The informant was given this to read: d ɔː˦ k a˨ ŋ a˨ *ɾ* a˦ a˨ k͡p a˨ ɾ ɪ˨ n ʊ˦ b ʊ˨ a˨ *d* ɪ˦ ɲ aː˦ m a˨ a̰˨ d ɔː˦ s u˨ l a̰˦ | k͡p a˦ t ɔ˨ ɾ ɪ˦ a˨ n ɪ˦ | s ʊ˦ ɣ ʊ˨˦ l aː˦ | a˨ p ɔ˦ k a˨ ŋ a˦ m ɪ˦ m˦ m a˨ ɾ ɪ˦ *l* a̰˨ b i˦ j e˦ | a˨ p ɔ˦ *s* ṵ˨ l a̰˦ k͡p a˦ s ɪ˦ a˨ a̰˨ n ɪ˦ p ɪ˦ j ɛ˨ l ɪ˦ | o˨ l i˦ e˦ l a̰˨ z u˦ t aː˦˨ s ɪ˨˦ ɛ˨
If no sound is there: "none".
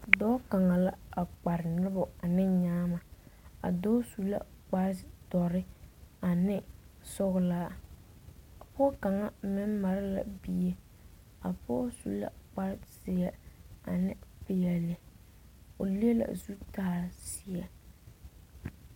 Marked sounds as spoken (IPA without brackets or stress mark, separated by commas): l, n, l, s